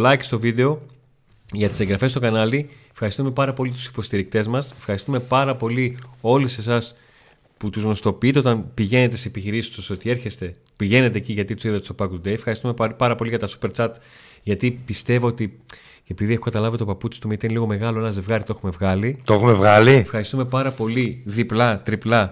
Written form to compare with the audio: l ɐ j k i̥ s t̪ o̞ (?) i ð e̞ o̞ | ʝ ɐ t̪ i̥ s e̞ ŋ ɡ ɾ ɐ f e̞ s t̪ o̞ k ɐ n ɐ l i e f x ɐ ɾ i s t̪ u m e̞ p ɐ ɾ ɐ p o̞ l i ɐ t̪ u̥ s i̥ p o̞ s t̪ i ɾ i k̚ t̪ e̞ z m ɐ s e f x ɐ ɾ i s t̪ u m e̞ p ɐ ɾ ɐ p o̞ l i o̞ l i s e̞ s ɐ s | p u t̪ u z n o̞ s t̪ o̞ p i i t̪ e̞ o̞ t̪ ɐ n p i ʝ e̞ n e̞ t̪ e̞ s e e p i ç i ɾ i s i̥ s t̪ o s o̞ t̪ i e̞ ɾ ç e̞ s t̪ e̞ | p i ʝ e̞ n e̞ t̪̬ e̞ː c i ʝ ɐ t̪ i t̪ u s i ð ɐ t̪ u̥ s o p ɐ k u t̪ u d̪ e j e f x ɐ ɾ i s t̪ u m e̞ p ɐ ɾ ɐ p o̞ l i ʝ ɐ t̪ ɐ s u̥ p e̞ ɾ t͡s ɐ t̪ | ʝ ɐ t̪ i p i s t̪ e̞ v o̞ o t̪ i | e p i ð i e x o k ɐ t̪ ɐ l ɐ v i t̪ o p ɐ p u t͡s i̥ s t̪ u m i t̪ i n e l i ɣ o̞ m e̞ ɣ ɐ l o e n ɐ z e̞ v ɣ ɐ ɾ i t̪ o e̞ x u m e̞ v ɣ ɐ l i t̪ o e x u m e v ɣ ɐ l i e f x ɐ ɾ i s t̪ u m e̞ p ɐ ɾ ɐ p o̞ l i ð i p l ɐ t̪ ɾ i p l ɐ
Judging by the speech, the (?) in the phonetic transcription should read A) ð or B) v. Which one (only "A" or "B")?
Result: B